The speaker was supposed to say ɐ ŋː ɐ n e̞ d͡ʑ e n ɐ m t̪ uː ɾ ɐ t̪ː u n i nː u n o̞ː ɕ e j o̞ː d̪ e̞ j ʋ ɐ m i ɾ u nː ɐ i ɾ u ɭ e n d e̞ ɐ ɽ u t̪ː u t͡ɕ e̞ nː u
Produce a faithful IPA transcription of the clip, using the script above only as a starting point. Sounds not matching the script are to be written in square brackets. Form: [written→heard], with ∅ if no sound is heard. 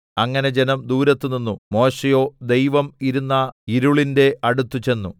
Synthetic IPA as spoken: ɐ ŋː ɐ n e̞ d͡ʑ e n ɐ m [t̪→d̪] uː ɾ ɐ t̪ː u n i nː u [n→m] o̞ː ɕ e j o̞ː d̪ e̞ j ʋ ɐ m i ɾ u nː ɐ i ɾ u ɭ [e→i] n d e̞ ɐ ɽ u t̪ː u t͡ɕ e̞ nː u